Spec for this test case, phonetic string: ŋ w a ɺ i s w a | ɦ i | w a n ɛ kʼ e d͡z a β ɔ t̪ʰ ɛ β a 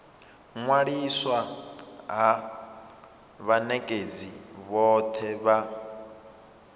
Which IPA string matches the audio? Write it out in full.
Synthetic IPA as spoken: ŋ w a ɺ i s w a | ɦ a | β a n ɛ kʼ e d͡z i β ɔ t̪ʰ ɛ β a